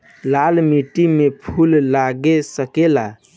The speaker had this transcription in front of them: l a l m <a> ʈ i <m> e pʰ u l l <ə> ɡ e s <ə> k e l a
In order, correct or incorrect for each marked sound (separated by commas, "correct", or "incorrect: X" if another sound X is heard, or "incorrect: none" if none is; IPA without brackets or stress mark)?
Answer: incorrect: i, correct, incorrect: a, correct